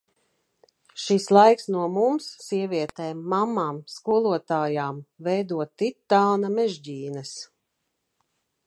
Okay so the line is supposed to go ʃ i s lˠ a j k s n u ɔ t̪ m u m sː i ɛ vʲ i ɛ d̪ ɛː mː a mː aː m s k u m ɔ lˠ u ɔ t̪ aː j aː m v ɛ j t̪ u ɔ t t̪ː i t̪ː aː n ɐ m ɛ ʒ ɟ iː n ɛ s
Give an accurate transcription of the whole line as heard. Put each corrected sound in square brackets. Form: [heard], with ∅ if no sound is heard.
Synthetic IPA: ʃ i s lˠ a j k s n u ɔ [∅] m u m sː i ɛ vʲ i ɛ [t̪] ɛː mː a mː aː m s k u [∅] ɔ lˠ u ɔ t̪ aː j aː m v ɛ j [d̪] u ɔ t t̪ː i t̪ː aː n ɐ m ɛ ʒ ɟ iː n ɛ s